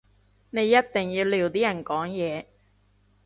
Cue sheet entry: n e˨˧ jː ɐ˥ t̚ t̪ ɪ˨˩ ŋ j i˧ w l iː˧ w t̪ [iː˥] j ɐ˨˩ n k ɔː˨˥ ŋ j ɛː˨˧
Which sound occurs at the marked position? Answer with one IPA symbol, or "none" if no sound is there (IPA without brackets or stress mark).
iː˥